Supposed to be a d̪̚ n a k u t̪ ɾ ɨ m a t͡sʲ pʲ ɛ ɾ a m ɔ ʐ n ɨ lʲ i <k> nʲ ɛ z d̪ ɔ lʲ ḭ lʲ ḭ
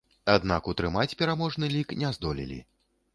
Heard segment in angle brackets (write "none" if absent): k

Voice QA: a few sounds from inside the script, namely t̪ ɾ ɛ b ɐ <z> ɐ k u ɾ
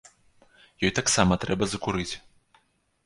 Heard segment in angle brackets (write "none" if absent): z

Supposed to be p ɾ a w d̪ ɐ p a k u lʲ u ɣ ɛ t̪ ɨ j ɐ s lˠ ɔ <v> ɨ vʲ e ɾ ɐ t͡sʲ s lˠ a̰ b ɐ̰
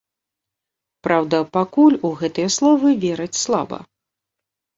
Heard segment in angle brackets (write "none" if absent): v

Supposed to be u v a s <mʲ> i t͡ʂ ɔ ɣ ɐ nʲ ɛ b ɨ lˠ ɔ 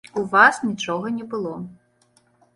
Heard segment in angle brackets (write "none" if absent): nʲ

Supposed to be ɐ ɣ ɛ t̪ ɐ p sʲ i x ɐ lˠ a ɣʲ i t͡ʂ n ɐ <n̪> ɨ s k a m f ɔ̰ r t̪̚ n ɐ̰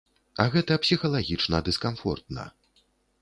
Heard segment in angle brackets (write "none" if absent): d̪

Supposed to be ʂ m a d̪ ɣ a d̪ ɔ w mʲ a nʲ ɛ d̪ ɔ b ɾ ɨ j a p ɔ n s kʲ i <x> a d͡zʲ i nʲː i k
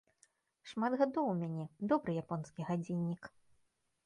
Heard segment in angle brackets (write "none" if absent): ɣ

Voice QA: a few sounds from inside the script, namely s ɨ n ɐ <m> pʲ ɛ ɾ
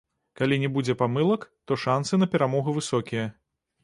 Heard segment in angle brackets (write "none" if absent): none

